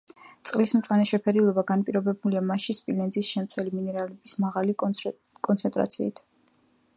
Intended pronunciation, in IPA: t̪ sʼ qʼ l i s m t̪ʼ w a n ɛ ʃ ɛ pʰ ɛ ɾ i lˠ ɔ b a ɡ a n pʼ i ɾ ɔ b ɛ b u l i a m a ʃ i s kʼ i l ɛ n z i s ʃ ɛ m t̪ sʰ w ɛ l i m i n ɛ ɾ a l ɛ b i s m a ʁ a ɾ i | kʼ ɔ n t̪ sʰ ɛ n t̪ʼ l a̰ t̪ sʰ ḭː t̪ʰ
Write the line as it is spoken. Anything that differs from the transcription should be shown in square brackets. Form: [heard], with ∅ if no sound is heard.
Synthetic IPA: t̪ sʼ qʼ l i s m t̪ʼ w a n ɛ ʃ ɛ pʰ ɛ ɾ i lˠ ɔ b a ɡ a n pʼ i ɾ ɔ b ɛ b u l i a m a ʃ i s [pʼ] i l ɛ n z i s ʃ ɛ m t̪ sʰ w ɛ l i m i n ɛ ɾ a l ɛ b i s m a ʁ a [l] i | kʼ ɔ n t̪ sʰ ɛ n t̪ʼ [ɾ] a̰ t̪ sʰ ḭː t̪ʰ